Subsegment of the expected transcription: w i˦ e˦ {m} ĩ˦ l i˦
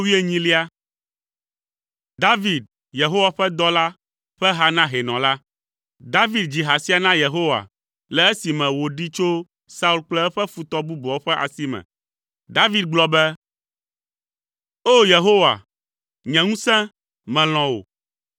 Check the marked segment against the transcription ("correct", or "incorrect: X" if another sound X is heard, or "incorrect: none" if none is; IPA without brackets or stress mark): incorrect: ɲ